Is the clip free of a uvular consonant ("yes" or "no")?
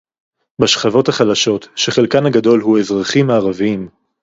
no